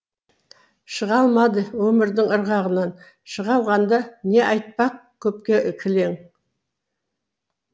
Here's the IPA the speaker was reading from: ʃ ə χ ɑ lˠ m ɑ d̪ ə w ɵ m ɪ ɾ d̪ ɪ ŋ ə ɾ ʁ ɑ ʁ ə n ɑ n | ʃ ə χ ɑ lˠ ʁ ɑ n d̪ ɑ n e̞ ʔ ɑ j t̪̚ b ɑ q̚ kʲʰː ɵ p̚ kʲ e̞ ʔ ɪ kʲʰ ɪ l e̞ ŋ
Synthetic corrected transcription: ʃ ə ʁ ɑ lˠ m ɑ d̪ ə w ɵ m ɪ ɾ d̪ ɪ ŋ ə ɾ ʁ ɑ ʁ ə n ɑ n | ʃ ə ʁ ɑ lˠ ʁ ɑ n d̪ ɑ n e̞ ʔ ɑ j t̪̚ p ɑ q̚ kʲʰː ɵ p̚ kʲ e̞ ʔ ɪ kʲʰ ɪ l e̞ ŋ